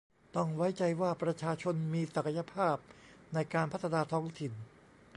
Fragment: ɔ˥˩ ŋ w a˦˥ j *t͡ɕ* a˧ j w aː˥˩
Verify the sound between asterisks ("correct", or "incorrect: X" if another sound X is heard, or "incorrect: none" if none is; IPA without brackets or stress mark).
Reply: correct